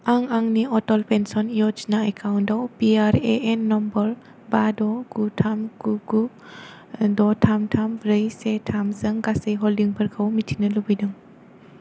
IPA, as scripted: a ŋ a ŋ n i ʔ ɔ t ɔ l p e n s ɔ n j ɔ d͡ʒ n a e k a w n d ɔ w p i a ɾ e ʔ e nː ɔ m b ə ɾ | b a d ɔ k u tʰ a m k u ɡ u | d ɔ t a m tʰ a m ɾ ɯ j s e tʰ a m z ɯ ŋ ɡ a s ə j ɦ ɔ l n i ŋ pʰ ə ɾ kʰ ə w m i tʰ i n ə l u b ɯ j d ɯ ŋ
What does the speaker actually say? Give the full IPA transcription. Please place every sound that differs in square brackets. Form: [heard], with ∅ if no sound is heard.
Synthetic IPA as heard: a ŋ a ŋ n i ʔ ɔ t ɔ l p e n s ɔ n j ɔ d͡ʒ n a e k a w n d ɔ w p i a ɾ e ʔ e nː ɔ m b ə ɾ | b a d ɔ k u tʰ a m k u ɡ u | d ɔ [tʰ] a m tʰ a m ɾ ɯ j s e tʰ a m z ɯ ŋ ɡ a s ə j ɦ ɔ l [d] i ŋ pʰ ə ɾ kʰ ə w m i tʰ i n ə l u b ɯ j d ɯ ŋ